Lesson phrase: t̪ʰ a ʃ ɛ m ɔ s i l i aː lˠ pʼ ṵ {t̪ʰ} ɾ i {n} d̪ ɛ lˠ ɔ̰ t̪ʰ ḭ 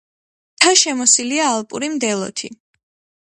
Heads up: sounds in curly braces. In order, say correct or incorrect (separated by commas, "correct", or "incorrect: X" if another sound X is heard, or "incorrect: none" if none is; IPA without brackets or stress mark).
incorrect: none, incorrect: m